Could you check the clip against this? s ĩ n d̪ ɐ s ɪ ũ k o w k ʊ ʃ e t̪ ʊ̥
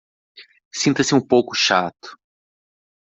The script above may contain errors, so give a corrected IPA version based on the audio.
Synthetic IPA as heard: s ĩ n t̪ ɐ s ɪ ũ p o w k ʊ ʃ a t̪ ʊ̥